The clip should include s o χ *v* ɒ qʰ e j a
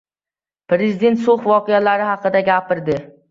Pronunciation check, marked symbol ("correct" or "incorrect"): correct